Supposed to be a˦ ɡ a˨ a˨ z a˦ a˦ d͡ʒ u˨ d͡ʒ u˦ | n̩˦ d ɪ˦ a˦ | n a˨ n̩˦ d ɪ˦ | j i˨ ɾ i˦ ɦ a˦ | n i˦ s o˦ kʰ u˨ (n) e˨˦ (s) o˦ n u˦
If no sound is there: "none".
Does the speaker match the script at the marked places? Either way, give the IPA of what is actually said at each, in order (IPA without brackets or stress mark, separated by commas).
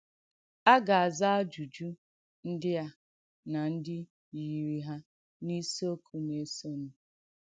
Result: n, s